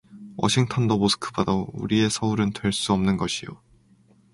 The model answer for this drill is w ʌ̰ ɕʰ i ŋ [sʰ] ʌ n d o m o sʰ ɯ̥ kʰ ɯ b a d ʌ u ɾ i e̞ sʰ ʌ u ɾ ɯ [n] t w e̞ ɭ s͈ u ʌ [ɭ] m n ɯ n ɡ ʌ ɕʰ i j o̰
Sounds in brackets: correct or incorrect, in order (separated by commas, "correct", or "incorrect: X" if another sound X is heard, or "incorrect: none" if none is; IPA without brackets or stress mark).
incorrect: tʰ, correct, incorrect: none